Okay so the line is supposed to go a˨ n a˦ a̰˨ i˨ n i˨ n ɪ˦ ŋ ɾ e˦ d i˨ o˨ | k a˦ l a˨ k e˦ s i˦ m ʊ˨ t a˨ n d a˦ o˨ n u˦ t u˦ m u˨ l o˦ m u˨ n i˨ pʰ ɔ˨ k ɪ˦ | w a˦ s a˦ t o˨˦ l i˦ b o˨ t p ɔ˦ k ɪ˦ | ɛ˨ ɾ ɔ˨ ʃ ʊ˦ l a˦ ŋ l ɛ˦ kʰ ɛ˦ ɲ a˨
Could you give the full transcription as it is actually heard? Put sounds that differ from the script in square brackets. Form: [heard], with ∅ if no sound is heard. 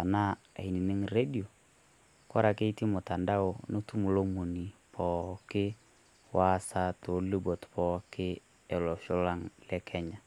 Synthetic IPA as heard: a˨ n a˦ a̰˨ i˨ n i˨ n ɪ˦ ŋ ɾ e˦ d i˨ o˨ | k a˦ [ɾ] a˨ k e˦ [t] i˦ m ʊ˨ t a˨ n d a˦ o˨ n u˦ t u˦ m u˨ l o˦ m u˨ n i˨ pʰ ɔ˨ k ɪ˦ | w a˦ s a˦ t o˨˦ l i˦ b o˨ t p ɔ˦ k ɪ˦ | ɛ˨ [l] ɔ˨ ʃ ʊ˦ l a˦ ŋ l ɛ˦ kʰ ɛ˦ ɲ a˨